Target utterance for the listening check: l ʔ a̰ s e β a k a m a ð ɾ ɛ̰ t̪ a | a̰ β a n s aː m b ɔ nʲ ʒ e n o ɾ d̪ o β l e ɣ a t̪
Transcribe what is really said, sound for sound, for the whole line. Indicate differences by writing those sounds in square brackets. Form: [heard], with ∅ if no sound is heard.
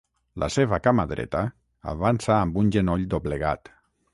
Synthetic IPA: l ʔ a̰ s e β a k a m a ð ɾ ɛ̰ t̪ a | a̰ β a n s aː m b [u] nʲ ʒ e n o [ʎ] d̪ o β l e ɣ a t̪